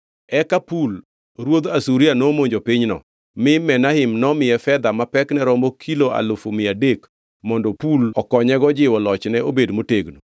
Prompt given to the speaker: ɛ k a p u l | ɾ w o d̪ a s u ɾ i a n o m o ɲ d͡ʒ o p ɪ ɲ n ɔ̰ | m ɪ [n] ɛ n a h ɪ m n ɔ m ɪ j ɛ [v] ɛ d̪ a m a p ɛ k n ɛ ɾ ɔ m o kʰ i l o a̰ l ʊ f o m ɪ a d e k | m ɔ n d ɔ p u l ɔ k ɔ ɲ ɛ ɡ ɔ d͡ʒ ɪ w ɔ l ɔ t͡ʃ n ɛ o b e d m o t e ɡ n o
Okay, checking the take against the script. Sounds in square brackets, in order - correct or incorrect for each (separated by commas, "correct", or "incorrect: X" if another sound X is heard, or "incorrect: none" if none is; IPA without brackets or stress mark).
incorrect: m, incorrect: f